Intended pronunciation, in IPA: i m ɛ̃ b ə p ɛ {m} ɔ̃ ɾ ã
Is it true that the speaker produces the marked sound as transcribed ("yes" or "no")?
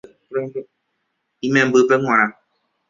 no